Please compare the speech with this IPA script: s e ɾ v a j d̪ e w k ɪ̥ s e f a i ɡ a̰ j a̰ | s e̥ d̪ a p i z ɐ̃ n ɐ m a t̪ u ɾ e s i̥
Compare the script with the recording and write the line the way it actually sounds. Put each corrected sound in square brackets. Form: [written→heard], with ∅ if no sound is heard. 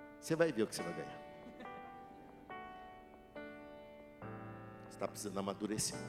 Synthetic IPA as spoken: s e [ɾ→∅] v a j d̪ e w k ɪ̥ s e [f→v] a [i→j] ɡ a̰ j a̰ | s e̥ [d̪→t̪] a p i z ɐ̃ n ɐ m a [t̪→d̪] u ɾ e s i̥